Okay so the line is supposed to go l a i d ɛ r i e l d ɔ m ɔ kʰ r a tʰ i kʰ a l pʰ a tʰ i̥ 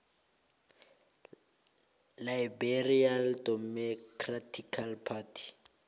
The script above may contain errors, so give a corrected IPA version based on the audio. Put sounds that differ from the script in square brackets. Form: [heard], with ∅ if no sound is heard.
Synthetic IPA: l a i [b] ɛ r i [a] l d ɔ m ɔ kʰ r a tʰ i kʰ a l pʰ a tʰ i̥

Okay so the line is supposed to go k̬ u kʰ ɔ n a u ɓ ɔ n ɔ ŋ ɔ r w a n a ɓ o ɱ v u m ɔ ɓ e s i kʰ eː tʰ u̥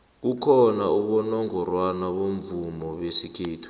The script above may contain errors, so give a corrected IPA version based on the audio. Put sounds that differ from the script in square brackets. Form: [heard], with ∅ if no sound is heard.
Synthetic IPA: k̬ u kʰ ɔ n a u ɓ ɔ n ɔ ŋ ɔ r w a n a ɓ o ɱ v u m ɔ ɓ e s i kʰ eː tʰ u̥

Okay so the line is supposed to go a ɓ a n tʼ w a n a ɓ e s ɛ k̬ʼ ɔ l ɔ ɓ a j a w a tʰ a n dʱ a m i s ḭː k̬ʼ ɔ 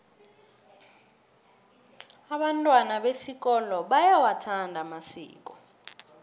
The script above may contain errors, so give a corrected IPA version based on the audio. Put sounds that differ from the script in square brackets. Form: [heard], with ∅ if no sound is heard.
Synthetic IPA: a ɓ a n tʼ w a n a ɓ e s [i] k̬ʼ ɔ l ɔ ɓ a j a w a tʰ a n dʱ a m [a] s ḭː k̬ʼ ɔ

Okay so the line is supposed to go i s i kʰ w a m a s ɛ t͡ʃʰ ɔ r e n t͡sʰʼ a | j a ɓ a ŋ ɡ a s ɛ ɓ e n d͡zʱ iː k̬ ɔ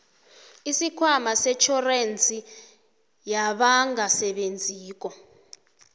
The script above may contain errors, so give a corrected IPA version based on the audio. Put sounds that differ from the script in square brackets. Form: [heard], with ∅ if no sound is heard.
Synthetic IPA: i s i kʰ w a m a s ɛ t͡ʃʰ ɔ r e n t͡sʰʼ [i] | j a ɓ a ŋ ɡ a s ɛ ɓ e n d͡zʱ iː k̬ ɔ

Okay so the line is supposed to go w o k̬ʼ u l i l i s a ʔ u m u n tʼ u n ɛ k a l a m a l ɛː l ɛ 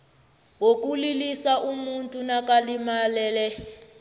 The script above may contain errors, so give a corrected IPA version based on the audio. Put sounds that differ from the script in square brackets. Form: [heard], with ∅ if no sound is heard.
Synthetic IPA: w o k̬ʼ u l i l i s a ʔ u m u n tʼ u n [a] k a l [i] m a l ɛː l ɛ

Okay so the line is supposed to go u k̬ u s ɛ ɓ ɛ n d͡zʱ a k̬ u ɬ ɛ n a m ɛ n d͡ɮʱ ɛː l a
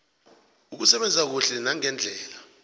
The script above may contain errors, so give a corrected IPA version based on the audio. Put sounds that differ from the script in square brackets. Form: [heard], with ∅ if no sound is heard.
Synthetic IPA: u k̬ u s ɛ ɓ ɛ n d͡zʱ a k̬ u ɬ ɛ n a [ŋ] ɛ n d͡ɮʱ ɛː l a

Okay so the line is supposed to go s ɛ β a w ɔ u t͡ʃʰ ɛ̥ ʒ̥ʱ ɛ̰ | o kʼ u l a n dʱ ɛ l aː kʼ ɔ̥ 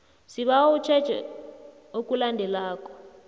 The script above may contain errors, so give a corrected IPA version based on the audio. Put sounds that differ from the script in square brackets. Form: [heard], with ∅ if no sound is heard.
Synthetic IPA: s [i] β a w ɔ u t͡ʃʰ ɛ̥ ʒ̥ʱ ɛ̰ | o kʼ u l a n dʱ ɛ l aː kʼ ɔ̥

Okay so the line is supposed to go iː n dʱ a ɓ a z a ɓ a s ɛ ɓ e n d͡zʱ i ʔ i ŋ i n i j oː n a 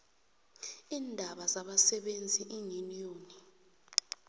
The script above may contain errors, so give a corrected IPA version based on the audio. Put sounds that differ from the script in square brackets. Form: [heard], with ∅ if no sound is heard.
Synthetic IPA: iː n dʱ a ɓ a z a ɓ a s ɛ ɓ e n d͡zʱ i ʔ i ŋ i n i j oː n [i]

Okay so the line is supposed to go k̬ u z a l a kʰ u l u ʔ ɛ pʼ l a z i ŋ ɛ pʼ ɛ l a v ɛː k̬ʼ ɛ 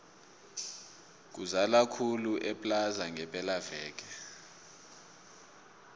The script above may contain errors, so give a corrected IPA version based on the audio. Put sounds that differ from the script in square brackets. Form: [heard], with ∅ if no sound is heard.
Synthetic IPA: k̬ u z a l a kʰ u l u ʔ ɛ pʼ l a z [a] ŋ ɛ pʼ ɛ l a v ɛː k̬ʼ ɛ

